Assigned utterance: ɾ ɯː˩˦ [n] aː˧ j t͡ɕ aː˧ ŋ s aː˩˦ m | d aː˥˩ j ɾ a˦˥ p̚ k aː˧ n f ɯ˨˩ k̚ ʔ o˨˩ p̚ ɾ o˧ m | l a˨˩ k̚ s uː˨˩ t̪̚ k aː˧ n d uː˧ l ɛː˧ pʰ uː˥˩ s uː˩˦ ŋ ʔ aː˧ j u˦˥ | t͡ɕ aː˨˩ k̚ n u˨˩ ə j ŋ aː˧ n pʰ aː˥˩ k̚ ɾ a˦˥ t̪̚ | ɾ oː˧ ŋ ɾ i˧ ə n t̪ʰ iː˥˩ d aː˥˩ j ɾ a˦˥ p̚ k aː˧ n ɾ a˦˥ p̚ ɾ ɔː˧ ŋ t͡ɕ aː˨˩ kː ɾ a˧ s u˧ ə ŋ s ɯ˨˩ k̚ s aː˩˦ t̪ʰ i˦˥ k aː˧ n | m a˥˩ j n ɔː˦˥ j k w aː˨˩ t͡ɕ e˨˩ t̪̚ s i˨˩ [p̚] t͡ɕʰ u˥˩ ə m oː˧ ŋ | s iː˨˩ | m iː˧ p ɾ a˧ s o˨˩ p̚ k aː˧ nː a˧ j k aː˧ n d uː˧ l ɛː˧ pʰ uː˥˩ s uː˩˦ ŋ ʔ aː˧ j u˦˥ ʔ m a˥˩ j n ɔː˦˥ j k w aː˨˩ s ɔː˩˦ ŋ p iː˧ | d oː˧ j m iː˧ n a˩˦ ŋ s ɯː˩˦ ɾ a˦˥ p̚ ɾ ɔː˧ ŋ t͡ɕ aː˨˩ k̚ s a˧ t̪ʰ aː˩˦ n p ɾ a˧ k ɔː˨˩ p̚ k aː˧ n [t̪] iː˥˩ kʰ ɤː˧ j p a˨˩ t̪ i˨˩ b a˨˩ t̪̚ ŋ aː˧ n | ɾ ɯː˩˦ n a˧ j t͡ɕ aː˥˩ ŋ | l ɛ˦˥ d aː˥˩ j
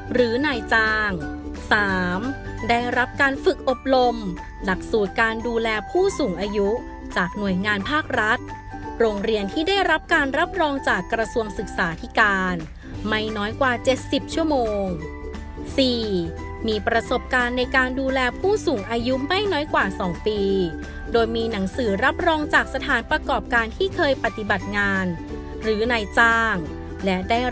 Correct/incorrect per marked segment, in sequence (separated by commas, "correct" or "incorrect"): correct, correct, incorrect